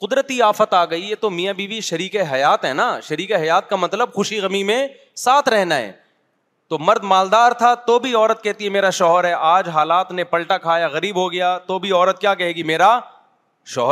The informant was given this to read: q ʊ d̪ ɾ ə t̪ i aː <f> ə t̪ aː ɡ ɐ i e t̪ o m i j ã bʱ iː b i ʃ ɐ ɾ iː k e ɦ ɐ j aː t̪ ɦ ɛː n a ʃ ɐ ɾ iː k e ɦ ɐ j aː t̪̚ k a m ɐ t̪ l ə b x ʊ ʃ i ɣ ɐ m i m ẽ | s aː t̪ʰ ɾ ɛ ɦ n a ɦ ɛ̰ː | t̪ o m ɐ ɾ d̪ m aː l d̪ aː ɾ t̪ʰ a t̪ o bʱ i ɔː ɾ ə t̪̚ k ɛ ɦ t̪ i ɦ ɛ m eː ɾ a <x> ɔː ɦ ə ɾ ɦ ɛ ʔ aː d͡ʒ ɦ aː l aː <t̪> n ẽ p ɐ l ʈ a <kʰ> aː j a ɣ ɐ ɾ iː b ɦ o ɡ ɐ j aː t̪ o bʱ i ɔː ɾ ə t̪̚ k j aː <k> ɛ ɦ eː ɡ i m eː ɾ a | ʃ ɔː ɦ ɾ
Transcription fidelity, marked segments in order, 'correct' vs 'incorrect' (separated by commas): correct, incorrect, correct, correct, correct